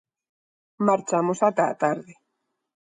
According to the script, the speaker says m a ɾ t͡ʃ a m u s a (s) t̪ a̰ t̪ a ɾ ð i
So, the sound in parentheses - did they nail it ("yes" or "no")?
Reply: no